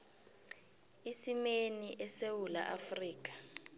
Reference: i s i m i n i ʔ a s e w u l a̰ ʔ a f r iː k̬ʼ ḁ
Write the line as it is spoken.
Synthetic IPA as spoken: i s i m e n i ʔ ɛ s e w u l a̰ ʔ a f r iː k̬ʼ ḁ